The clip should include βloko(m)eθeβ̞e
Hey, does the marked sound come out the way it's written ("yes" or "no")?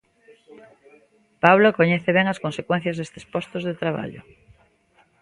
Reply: no